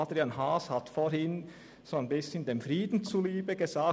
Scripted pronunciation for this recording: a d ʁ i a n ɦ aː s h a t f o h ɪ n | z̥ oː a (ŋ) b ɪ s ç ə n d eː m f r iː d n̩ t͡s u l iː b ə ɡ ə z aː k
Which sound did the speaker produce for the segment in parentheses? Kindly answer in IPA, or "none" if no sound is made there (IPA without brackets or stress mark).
n